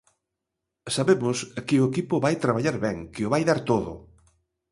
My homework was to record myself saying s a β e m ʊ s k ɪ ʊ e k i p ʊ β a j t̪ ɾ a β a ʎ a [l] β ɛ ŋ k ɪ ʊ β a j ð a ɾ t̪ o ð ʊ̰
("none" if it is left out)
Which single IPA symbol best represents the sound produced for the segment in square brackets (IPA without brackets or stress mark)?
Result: ɾ